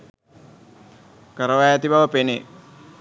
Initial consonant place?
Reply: velar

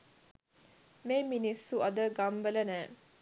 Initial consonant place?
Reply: labial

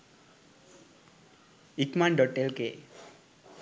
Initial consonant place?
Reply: velar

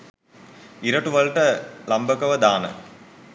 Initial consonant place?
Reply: alveolar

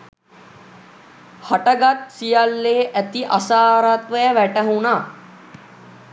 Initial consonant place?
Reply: glottal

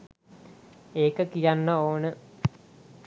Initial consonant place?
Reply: velar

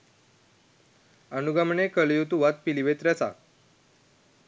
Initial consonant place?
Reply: alveolar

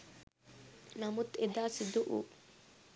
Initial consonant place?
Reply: alveolar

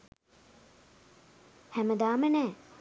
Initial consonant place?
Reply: glottal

